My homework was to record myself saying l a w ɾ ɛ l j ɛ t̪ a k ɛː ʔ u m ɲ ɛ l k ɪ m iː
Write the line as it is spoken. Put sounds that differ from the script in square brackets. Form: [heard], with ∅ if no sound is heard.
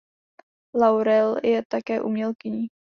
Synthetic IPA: l a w ɾ ɛ l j ɛ t̪ a k ɛː ʔ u m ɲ ɛ l k ɪ [ɲ] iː